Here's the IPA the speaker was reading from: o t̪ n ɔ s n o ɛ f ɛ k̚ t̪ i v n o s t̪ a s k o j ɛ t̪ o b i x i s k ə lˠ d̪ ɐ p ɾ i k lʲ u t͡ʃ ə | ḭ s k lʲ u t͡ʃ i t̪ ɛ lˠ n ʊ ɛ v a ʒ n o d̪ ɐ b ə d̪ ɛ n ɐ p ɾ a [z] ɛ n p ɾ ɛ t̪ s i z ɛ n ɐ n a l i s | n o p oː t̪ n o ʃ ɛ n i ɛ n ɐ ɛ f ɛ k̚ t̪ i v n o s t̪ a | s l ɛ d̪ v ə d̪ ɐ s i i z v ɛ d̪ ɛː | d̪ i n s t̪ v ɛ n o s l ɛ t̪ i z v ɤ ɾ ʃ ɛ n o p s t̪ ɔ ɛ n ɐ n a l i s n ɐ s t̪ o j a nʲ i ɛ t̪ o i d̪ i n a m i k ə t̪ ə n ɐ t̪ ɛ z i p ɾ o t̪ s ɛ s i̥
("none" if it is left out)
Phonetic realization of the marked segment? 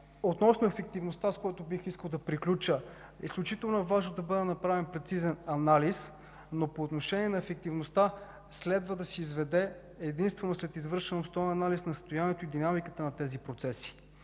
v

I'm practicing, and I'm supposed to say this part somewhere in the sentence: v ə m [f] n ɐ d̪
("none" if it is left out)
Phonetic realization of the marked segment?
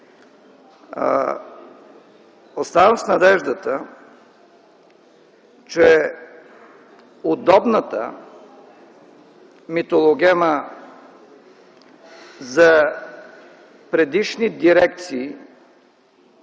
s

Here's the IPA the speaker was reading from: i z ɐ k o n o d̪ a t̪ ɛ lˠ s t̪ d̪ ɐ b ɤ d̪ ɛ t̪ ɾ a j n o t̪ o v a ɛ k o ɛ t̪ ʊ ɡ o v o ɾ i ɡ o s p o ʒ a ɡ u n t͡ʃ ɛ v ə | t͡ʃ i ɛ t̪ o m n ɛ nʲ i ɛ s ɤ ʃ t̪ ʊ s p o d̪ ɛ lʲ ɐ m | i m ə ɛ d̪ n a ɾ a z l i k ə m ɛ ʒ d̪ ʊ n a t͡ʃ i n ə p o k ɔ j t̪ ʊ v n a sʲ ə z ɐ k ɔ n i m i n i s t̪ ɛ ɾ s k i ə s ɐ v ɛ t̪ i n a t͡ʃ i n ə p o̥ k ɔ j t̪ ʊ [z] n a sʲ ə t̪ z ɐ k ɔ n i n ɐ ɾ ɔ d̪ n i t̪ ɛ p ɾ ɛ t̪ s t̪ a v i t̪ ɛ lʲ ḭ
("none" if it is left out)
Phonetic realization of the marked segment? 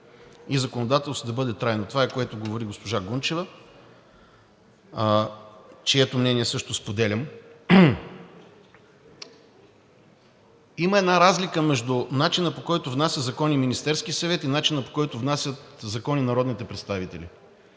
v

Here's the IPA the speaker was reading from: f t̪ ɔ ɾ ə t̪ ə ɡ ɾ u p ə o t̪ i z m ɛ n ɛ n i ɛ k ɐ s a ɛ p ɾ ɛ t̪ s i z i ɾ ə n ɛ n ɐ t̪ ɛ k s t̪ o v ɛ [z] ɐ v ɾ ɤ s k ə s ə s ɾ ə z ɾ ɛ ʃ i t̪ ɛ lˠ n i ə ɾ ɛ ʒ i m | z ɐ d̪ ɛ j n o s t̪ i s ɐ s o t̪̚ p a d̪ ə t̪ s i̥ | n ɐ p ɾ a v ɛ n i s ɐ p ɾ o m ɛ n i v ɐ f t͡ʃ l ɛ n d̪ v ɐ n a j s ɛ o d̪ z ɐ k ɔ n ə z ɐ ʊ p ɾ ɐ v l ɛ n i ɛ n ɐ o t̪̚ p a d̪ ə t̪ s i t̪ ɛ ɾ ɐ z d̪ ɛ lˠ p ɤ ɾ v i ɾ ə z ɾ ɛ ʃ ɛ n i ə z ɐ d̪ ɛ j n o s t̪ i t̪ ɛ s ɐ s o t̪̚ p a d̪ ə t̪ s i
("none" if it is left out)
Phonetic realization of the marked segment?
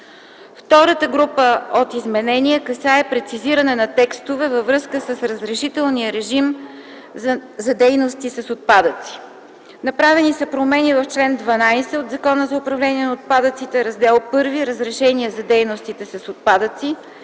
v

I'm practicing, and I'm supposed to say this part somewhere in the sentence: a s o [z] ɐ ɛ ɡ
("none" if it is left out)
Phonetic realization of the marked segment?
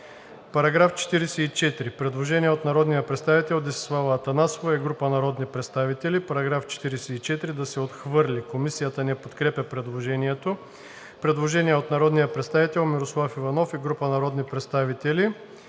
v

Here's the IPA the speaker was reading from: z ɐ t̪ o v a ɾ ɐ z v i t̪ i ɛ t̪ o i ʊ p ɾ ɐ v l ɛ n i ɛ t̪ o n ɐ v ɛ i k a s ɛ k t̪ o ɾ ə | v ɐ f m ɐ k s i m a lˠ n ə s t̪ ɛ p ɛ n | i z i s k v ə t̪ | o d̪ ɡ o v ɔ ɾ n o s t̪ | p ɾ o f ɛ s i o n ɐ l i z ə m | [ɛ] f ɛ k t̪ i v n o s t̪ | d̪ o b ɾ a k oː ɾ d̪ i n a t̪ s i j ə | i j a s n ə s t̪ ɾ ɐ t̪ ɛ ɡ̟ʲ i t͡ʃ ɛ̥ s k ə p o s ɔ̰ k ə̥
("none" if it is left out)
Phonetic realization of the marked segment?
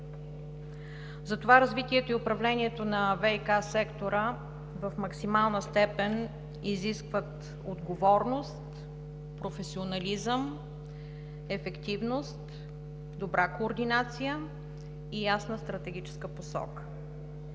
ɛ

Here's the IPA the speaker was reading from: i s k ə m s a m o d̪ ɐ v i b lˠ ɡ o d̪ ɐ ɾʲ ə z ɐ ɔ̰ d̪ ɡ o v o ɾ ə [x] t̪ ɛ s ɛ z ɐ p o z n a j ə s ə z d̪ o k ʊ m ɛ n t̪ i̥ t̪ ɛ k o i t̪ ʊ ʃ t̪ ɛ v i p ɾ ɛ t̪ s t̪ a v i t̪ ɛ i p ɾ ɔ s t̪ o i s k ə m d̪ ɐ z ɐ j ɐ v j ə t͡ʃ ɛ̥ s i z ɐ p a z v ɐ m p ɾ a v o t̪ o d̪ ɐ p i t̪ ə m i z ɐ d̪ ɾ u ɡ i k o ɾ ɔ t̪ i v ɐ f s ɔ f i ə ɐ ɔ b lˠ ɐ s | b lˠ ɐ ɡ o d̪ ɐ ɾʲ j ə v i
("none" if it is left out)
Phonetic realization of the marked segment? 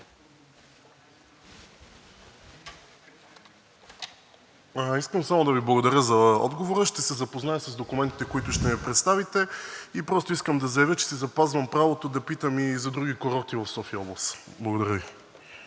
ʃ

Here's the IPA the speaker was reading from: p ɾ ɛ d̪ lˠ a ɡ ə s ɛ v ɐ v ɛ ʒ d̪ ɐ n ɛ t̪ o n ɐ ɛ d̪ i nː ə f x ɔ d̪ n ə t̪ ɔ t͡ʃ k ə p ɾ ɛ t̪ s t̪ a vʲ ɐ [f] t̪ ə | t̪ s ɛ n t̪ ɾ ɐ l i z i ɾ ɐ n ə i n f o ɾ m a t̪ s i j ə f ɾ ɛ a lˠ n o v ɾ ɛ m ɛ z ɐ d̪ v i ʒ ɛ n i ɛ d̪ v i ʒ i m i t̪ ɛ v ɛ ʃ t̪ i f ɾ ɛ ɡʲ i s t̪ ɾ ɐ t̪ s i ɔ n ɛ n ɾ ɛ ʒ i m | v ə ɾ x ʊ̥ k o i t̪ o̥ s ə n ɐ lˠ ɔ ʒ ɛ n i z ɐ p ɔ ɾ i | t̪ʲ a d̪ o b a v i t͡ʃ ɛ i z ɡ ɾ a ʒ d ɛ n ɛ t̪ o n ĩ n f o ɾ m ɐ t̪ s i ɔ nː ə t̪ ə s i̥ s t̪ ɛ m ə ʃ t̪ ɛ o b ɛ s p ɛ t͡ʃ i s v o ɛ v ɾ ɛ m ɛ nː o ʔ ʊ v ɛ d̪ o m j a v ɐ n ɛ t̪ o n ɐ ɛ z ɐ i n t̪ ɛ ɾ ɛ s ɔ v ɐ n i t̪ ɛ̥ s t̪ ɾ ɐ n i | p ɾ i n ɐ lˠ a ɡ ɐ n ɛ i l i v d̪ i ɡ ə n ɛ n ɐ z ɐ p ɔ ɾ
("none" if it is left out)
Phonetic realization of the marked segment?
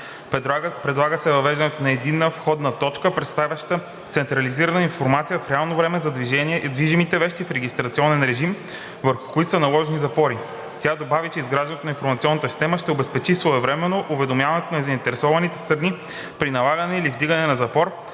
ʃ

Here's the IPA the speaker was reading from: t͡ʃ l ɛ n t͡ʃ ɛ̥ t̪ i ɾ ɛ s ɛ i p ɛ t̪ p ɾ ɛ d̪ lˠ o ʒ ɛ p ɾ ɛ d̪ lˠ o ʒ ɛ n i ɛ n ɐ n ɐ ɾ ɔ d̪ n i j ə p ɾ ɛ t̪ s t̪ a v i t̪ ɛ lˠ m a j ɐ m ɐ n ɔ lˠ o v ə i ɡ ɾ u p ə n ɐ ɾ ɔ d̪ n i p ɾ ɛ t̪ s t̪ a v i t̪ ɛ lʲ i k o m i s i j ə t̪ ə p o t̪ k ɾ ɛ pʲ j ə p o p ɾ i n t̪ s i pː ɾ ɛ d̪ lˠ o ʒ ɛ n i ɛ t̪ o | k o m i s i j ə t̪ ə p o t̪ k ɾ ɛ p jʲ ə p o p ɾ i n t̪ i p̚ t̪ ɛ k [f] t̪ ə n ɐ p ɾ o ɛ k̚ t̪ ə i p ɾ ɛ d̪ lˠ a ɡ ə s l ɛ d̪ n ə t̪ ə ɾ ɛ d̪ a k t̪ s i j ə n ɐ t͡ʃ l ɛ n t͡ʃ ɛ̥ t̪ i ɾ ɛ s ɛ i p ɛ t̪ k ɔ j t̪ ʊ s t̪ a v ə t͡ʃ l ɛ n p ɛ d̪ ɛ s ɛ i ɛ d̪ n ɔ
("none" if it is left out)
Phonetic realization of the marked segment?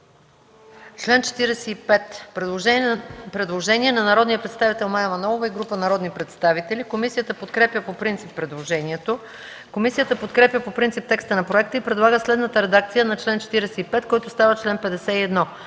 s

